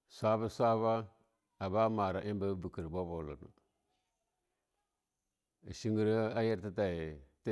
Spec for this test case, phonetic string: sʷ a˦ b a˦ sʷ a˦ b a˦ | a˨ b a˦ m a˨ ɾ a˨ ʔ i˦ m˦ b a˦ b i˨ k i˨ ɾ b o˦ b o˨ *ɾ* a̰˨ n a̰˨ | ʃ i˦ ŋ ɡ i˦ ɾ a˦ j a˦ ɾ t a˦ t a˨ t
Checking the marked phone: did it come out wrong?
yes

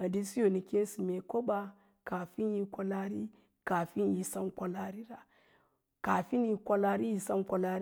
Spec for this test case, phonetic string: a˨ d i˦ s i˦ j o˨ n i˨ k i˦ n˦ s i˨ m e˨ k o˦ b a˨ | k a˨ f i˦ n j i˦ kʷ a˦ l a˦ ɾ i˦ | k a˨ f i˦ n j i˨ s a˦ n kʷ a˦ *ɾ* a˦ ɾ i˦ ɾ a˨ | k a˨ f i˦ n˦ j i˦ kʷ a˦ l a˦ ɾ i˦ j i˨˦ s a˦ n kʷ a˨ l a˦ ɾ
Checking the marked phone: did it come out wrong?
yes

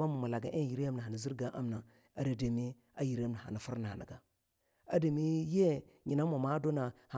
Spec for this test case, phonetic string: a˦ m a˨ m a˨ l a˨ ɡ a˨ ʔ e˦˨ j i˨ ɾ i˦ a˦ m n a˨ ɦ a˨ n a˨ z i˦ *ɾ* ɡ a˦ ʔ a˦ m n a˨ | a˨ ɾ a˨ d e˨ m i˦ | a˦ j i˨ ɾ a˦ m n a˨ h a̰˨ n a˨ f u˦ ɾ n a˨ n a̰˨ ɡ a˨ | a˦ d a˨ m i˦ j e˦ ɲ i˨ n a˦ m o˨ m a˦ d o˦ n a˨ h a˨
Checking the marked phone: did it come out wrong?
no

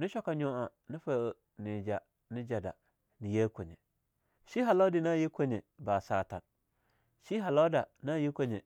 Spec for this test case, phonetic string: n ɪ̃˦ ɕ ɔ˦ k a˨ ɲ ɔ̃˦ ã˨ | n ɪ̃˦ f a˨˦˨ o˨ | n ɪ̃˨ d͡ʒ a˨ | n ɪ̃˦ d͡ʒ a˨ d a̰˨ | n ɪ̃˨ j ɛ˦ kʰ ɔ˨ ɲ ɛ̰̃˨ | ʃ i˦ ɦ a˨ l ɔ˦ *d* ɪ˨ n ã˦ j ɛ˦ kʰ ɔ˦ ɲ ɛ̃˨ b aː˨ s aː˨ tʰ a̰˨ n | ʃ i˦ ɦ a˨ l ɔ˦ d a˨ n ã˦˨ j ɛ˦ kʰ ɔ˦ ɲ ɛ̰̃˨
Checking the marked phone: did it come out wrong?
no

